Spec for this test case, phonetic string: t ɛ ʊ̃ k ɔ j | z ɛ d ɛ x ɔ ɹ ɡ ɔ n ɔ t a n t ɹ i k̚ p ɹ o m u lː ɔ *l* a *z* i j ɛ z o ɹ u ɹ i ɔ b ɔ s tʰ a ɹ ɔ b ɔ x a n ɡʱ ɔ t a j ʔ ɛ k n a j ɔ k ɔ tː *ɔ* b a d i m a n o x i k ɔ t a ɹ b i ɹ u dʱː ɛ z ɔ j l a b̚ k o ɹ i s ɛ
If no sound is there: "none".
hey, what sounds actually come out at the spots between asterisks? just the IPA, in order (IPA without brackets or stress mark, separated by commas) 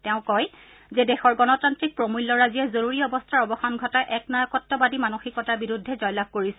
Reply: ɹ, z, ɔ